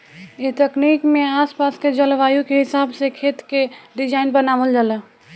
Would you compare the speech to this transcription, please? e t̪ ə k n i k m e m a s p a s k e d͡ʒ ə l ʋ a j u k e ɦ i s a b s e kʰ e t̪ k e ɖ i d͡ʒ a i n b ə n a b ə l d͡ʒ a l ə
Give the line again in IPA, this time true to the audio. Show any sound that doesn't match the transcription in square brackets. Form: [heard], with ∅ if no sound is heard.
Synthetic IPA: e t̪ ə k n i k m e [∅] a s p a s k e d͡ʒ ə l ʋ a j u k e ɦ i s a b s e kʰ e t̪ k e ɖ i d͡ʒ a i n b ə n a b ə l d͡ʒ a l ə